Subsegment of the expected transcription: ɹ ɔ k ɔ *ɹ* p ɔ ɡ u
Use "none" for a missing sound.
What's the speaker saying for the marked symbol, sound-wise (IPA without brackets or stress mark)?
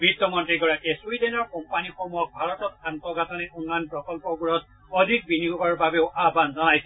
l